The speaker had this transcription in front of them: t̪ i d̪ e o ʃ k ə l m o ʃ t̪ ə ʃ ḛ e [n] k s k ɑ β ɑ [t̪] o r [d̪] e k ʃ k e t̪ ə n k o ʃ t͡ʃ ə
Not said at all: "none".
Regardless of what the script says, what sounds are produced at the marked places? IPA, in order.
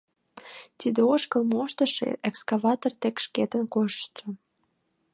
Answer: none, t̪, t̪

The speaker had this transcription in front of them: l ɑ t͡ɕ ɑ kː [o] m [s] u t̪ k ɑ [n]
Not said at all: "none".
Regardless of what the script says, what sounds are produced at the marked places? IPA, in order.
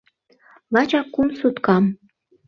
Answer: u, s, m

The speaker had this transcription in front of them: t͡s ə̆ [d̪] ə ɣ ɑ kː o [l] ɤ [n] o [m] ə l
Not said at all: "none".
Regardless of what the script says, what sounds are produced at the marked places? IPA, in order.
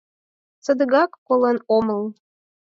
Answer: d̪, l, n, m

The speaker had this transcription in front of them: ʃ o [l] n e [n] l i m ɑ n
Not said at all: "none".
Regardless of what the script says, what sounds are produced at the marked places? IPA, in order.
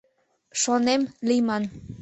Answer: none, m

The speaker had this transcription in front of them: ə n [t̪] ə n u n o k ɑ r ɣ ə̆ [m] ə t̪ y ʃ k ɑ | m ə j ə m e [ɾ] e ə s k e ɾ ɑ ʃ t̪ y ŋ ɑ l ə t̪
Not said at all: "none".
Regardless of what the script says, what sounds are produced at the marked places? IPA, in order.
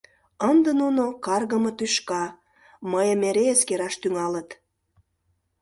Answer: d̪, m, ɾ

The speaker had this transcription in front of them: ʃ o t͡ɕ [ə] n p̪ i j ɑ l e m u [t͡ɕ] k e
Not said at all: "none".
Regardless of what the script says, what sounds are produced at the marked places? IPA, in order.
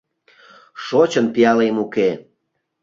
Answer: ə, none

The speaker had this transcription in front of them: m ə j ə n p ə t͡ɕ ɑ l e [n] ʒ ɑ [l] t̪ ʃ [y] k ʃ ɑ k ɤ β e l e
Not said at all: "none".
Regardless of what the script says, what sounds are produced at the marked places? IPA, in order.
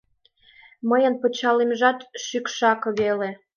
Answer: m, none, y

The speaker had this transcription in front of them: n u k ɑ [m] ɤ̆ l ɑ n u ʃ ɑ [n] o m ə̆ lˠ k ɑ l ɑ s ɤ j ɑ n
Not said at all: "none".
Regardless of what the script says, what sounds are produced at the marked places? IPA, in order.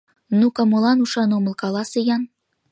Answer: m, n

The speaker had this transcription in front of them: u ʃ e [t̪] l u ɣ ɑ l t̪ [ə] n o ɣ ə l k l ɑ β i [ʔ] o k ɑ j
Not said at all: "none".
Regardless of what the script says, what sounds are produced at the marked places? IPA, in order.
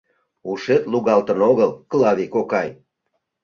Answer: t̪, ə, k

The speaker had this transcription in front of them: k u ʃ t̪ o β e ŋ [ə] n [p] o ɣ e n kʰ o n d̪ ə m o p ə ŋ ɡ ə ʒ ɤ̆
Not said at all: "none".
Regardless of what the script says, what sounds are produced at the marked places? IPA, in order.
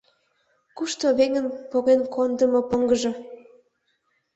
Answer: ə, p

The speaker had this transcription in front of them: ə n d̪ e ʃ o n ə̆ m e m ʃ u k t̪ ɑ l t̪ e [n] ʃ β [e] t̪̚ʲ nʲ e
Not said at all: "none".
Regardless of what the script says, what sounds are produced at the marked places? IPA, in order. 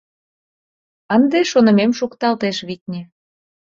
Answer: none, i

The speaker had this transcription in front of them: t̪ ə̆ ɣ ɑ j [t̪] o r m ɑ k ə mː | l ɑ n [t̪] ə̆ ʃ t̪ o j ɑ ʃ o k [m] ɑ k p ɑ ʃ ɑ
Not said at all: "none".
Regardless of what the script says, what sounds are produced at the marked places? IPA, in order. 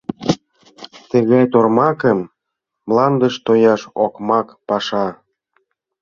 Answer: t̪, d̪, m

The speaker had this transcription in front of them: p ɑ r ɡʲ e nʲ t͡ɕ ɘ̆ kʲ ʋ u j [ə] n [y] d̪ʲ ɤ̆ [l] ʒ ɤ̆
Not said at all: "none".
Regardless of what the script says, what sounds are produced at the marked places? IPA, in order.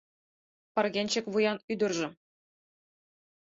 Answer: ɑ, y, r

